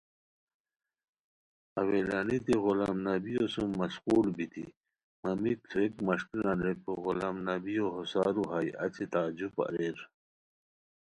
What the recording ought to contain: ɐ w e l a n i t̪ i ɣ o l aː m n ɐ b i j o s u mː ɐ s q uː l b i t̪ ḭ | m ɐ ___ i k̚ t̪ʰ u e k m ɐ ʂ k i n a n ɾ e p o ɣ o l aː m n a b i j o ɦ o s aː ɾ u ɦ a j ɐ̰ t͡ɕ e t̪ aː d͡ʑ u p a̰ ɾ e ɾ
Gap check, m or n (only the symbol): m